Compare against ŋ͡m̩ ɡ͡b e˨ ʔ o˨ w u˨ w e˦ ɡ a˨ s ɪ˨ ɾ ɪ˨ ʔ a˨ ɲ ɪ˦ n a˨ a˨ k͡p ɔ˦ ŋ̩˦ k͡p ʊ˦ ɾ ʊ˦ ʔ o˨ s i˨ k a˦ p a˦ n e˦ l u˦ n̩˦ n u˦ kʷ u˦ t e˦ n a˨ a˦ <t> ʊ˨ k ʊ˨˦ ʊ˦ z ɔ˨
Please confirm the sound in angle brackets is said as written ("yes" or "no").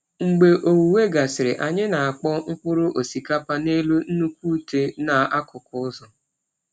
no